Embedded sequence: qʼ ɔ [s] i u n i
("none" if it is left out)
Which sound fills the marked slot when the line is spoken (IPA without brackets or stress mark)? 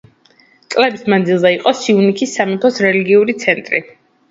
s